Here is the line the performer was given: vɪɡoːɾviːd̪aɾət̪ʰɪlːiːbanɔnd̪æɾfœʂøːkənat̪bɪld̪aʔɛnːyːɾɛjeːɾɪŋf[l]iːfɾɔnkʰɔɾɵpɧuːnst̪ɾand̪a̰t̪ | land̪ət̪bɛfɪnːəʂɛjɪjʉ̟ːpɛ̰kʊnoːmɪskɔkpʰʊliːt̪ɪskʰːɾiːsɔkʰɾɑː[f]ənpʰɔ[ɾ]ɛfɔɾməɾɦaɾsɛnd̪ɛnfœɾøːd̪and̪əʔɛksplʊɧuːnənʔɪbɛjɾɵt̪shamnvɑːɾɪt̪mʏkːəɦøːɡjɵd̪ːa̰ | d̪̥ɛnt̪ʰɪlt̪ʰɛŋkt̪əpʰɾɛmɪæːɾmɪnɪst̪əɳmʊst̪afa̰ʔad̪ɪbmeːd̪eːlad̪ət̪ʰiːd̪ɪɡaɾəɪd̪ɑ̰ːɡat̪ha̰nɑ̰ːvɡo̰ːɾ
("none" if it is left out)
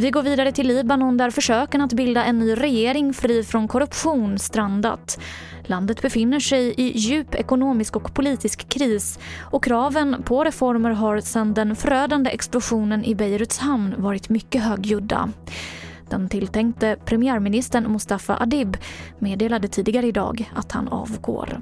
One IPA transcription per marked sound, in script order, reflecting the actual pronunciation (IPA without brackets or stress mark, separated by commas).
ɾ, v, ɾ